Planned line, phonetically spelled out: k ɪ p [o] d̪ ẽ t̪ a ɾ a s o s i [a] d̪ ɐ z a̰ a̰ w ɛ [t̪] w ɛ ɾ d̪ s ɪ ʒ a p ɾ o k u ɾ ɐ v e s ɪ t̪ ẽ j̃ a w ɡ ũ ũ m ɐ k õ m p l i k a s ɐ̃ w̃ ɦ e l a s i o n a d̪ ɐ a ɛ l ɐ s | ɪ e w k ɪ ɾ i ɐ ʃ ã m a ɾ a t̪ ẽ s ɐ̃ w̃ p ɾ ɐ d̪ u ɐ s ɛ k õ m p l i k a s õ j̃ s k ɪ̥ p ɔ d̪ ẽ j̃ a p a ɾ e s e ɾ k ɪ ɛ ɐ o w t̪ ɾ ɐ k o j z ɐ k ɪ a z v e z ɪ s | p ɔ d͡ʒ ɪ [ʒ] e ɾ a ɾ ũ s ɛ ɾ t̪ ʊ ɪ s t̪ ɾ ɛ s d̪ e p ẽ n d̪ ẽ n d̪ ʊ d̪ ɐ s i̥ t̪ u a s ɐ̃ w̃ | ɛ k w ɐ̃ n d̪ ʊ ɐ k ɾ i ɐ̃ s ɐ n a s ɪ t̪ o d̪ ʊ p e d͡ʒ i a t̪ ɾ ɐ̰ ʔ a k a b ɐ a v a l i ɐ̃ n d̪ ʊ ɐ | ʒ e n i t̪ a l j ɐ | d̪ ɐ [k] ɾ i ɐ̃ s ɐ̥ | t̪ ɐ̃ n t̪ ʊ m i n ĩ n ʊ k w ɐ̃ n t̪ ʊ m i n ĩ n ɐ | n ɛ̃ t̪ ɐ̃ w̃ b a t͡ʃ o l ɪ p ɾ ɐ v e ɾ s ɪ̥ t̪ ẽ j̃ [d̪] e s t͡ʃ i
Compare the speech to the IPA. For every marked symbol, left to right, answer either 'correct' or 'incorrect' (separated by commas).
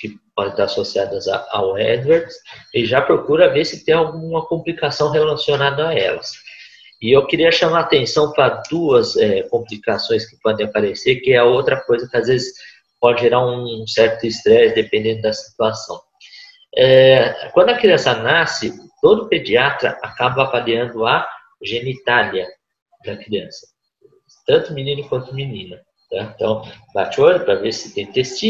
incorrect, correct, incorrect, correct, correct, incorrect